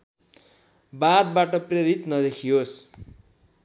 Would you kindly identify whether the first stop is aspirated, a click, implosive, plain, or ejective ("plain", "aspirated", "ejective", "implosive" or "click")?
plain